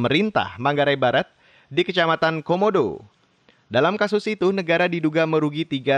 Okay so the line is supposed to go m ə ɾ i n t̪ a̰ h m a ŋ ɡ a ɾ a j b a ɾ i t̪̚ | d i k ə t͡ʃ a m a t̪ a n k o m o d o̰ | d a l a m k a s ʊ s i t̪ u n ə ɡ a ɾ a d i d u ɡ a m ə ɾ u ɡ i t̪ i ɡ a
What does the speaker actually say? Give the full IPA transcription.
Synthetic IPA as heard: m ə ɾ i n t̪ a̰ h m a ŋ ɡ a ɾ a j b a ɾ a t̪̚ | d i k ə t͡ʃ a m a t̪ a n k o m o d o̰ | d a l a m k a s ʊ s i t̪ u n ə ɡ a ɾ a d i d u ɡ a m ə ɾ u ɡ i t̪ i ɡ a